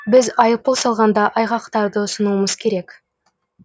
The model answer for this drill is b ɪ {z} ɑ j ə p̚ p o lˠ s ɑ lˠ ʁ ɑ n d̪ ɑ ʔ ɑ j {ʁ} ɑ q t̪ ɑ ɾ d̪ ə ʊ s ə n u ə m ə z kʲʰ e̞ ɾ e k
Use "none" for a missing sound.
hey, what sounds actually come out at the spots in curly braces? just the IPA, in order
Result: z, ʁ

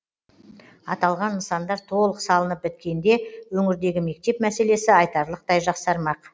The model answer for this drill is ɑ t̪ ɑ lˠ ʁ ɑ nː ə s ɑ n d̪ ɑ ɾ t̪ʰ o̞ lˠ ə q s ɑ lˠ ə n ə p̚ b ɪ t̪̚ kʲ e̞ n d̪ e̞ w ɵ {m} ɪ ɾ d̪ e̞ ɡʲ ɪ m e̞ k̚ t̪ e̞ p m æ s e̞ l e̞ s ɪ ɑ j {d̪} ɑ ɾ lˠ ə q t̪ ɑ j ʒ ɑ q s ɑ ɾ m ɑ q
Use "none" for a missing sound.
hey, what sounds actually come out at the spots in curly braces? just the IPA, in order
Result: ŋ, t̪

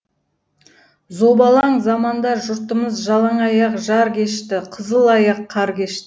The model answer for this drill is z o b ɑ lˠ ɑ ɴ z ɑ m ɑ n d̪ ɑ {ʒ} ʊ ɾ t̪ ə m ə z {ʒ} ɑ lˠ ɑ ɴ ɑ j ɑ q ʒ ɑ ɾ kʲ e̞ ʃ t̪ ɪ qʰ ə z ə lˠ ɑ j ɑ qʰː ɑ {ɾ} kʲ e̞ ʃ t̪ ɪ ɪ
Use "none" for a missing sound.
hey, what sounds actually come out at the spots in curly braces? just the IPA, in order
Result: ʒ, ʒ, ɾ

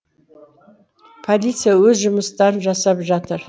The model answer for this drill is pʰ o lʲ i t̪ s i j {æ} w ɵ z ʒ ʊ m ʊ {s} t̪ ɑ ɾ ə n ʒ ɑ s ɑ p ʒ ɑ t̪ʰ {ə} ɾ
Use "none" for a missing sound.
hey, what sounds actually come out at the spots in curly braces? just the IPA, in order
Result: a, s, ə

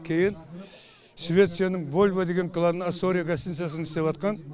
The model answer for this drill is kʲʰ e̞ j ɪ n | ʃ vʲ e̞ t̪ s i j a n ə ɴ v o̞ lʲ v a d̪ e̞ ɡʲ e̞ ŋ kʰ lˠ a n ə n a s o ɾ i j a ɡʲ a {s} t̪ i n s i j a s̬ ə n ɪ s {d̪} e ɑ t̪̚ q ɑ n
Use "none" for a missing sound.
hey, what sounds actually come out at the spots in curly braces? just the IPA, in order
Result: s, t̪

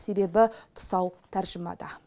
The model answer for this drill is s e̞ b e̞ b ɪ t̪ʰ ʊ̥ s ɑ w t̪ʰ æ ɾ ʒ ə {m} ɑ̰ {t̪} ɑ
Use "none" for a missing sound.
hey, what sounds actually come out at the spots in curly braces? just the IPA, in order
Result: m, d̪

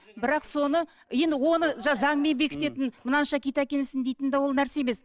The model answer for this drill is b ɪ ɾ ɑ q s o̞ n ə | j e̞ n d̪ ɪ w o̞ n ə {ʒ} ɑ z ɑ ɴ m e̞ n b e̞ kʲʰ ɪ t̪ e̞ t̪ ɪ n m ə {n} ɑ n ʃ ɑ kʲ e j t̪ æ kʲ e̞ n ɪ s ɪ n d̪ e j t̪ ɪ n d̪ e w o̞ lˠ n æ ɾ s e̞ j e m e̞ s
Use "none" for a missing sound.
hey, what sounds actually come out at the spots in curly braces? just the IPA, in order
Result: ʒ, n

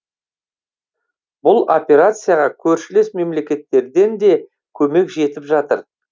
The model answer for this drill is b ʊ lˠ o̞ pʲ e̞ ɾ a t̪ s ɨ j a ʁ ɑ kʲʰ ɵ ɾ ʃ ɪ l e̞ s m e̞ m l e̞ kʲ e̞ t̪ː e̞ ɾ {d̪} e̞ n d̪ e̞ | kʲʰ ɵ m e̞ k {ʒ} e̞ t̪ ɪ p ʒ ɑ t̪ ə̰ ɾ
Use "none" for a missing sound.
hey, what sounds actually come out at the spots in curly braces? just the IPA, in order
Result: d̪, ʒ

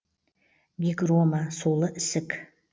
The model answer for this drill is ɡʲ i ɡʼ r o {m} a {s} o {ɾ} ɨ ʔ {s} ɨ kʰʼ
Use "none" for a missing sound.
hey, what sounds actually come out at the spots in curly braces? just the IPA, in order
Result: m, s, l, s

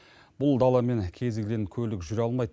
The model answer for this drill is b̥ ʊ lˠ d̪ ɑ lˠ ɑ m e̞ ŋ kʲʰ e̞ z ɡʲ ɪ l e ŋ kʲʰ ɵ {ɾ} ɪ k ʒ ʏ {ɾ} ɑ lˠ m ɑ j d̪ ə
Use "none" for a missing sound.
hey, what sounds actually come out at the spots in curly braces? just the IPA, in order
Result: l, ɾ

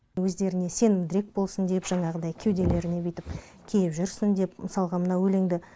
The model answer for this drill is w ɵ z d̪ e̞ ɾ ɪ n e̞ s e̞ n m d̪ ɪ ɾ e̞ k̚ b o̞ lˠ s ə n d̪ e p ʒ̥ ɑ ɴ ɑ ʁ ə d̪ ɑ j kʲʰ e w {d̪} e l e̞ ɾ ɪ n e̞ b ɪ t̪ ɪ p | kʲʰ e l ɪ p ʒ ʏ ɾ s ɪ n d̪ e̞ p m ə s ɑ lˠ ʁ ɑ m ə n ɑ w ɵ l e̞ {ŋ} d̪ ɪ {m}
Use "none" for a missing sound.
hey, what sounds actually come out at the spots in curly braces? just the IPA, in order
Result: d̪, ŋ, none

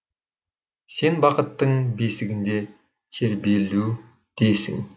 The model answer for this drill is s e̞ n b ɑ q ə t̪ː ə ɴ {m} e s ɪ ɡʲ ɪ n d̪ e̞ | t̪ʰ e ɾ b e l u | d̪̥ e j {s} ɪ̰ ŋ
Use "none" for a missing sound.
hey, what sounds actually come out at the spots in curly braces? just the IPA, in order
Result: b, s

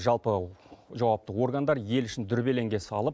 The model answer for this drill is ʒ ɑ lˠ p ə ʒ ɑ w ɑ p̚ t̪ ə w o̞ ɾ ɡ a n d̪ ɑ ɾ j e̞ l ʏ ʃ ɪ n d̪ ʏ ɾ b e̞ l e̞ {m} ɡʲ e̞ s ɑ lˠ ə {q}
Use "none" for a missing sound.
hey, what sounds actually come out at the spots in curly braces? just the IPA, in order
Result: ŋ, p

